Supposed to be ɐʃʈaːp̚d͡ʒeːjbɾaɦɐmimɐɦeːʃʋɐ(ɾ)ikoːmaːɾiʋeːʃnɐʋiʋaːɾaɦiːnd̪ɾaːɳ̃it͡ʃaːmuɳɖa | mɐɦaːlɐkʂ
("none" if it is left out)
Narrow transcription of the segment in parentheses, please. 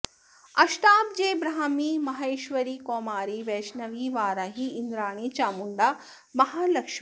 ɾ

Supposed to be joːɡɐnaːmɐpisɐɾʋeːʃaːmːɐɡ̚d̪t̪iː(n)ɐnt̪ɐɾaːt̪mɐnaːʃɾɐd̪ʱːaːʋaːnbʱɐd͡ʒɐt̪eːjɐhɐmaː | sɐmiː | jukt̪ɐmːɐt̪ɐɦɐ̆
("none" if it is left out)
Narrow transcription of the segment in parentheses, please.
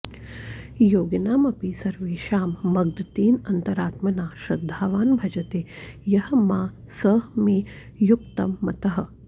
n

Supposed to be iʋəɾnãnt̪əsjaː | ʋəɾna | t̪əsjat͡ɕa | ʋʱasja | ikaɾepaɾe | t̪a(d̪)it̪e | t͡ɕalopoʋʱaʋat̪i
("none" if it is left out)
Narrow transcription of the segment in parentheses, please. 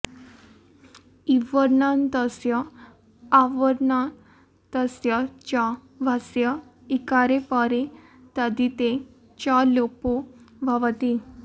d̪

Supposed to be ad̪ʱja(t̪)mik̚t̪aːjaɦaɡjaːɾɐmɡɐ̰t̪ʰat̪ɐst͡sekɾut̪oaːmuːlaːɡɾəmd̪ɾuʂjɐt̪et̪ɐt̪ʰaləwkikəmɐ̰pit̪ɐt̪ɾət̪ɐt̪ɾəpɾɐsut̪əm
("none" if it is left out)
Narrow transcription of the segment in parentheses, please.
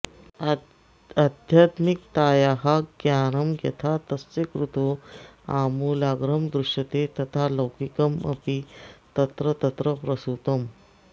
t̪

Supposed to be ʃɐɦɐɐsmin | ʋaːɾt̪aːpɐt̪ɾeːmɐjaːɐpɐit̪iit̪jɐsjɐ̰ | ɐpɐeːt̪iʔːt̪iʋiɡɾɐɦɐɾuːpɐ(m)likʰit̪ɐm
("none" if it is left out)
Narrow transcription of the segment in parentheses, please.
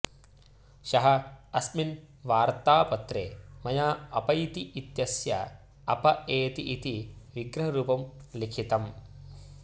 m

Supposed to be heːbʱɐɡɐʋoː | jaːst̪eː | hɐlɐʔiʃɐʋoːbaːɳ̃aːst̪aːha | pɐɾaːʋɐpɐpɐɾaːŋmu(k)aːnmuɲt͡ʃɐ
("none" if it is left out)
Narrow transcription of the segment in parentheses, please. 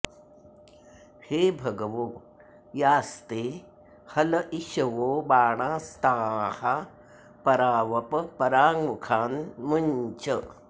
kʰ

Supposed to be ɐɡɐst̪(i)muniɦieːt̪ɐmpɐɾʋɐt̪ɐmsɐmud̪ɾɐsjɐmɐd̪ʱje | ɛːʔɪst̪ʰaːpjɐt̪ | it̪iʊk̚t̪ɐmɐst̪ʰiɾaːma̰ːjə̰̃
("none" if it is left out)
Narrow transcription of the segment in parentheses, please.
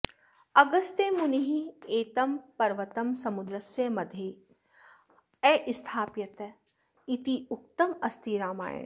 e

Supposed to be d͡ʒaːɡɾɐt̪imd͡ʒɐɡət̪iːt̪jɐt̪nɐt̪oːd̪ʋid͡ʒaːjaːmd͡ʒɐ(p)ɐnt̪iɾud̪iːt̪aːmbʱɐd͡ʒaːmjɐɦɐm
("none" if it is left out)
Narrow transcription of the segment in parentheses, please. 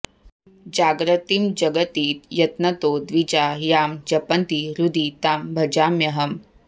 p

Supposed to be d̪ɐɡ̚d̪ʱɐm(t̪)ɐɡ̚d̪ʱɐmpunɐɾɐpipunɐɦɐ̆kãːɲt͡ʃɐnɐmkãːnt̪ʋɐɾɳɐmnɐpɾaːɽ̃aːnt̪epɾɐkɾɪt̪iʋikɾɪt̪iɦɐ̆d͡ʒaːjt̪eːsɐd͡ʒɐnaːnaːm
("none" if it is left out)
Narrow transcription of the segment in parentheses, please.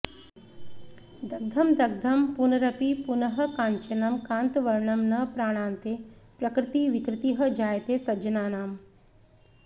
d̪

